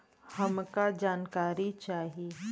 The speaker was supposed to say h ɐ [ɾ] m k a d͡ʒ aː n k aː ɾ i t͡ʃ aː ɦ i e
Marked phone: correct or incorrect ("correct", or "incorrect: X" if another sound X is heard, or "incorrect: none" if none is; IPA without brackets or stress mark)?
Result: incorrect: none